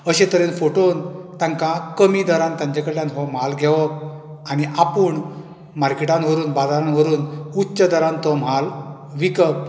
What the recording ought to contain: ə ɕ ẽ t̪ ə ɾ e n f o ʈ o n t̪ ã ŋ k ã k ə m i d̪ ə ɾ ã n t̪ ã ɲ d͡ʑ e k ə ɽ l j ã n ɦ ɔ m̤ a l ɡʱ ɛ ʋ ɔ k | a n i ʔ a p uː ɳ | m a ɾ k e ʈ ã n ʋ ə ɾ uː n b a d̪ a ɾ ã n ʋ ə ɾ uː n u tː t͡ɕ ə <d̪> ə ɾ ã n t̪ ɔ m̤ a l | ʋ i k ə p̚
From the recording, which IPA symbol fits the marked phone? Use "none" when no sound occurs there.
d̪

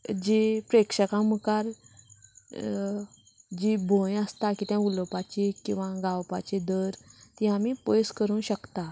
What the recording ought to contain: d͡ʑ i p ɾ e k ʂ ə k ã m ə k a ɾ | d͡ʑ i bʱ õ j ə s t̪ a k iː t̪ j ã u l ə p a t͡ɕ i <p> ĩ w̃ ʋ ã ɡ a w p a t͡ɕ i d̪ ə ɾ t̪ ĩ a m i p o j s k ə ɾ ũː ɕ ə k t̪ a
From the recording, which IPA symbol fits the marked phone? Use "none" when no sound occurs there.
k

